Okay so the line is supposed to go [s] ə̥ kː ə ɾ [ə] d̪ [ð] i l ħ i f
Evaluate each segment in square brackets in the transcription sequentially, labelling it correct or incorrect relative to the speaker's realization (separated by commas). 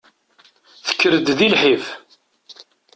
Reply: incorrect, correct, correct